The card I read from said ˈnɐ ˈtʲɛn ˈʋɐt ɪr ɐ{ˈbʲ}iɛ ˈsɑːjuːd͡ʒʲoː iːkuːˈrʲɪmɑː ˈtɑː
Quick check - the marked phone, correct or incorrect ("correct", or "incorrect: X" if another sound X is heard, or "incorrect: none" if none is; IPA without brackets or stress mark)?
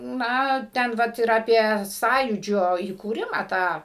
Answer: incorrect: pʲ